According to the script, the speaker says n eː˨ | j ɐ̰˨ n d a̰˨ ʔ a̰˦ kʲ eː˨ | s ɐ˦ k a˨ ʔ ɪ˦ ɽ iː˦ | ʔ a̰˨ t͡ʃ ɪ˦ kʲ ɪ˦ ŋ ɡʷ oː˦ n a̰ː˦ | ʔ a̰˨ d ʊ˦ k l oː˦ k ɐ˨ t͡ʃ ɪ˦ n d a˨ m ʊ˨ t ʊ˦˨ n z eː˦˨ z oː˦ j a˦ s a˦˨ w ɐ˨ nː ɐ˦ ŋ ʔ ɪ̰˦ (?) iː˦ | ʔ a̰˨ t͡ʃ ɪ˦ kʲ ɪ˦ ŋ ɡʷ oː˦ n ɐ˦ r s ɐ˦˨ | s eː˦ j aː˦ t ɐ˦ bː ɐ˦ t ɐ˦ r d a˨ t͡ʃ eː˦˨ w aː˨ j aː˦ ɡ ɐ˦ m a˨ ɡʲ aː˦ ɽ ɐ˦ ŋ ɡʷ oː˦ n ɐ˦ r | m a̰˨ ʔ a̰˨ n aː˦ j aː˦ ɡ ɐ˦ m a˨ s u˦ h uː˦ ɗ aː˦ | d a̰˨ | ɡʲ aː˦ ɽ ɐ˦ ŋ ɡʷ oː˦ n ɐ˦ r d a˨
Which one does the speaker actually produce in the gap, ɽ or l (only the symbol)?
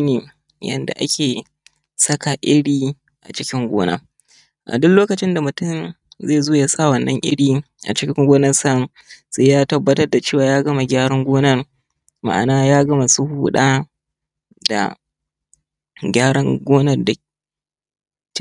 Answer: ɽ